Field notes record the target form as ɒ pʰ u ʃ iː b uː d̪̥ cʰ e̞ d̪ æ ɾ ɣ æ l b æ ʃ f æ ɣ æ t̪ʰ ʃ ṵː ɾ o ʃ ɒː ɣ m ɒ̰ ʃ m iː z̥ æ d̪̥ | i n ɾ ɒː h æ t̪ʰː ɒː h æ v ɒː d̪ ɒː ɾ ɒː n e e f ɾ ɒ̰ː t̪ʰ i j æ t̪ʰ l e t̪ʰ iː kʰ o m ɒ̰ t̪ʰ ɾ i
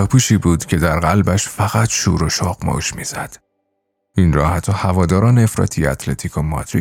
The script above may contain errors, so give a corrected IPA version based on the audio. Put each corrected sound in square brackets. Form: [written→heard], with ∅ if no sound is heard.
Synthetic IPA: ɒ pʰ u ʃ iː b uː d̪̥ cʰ e̞ d̪ æ ɾ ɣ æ l b æ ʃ f æ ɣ æ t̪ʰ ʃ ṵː ɾ o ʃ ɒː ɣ m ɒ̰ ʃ m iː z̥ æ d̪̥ | i n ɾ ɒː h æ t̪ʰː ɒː h æ v ɒː d̪ ɒː ɾ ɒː n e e f ɾ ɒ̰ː t̪ʰ i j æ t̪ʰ l e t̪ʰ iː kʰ o m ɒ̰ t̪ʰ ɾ i